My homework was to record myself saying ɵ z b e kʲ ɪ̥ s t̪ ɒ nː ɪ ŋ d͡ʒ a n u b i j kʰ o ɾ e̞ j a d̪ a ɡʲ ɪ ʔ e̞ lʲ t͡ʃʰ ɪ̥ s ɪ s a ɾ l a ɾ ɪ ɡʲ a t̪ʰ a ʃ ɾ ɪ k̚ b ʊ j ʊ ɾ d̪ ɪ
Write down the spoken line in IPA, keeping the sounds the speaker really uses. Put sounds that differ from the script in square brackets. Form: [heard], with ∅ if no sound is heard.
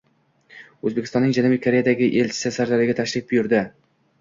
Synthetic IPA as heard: ɵ z b e kʲ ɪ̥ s t̪ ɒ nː ɪ ŋ d͡ʒ a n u b i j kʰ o ɾ e̞ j a d̪ a ɡʲ ɪ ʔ e̞ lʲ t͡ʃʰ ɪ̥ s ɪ s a ɾ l a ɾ ɪ ɡʲ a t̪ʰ a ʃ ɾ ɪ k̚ b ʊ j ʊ ɾ d̪ ɪ